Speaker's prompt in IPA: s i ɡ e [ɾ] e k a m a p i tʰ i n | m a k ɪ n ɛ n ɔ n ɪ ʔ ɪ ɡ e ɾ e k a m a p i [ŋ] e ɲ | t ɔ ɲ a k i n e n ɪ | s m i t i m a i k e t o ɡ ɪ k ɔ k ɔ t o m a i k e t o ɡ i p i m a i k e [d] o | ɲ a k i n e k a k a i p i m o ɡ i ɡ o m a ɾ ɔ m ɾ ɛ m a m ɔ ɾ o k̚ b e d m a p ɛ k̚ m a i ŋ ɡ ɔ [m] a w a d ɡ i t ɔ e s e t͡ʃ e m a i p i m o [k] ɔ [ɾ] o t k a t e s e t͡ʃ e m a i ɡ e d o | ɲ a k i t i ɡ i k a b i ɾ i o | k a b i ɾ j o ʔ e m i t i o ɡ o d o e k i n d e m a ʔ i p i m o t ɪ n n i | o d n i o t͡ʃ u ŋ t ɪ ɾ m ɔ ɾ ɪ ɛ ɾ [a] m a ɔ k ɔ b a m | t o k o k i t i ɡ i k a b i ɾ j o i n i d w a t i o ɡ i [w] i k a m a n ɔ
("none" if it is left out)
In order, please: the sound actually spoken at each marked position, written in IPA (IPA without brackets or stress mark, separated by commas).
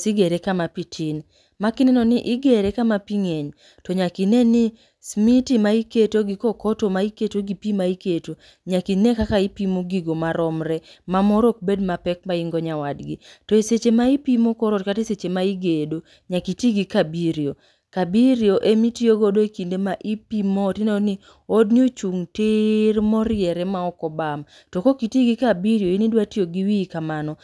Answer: ɾ, ŋ, t, ɲ, k, ɾ, ɛ, w